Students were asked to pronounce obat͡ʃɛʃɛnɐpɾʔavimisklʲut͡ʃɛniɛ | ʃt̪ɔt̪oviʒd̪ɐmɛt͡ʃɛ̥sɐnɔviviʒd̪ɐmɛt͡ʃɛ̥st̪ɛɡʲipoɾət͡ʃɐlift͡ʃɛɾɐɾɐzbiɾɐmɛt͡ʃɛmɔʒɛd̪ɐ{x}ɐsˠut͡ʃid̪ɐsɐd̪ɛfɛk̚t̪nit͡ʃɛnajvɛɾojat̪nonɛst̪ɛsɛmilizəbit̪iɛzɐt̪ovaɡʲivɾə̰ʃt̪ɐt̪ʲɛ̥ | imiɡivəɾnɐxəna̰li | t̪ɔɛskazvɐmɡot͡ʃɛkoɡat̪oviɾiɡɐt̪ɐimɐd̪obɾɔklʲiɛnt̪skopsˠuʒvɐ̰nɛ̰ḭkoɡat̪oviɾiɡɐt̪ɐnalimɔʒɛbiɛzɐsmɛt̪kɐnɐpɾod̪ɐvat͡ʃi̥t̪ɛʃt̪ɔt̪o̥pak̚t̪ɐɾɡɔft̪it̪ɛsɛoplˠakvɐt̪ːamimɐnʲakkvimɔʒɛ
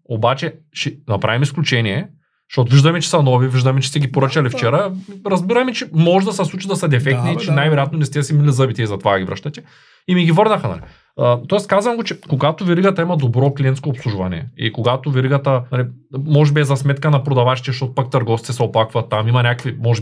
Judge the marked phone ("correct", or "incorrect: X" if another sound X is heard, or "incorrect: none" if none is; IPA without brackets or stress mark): incorrect: s